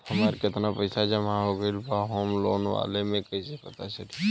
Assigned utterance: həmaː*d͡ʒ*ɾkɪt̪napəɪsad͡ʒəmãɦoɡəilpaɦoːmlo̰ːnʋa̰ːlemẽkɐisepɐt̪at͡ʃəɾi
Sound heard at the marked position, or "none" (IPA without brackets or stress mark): none